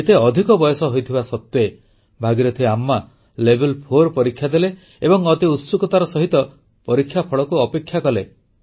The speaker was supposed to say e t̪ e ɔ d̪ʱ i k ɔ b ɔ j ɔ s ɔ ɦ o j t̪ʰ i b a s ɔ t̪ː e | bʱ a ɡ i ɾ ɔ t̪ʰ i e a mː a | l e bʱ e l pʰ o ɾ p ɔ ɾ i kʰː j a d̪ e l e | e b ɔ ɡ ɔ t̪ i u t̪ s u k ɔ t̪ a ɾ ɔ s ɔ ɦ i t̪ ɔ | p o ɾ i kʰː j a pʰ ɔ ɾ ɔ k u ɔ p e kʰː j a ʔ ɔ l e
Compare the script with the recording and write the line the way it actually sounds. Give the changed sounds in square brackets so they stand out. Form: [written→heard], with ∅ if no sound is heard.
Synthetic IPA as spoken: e t̪ e ɔ d̪ʱ i k ɔ b ɔ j ɔ s ɔ ɦ o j t̪ʰ i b a s ɔ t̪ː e | bʱ a ɡ i ɾ ɔ t̪ʰ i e a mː a | l e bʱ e l pʰ o ɾ p ɔ ɾ i kʰː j a d̪ e l e | e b ɔ [ɡ→ŋ] ɔ t̪ i u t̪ s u k ɔ t̪ a ɾ ɔ s ɔ ɦ i t̪ ɔ | p [o→ɔ] ɾ i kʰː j a pʰ ɔ [ɾ→ɭ] ɔ k u ɔ p e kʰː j a [ʔ→k] ɔ l e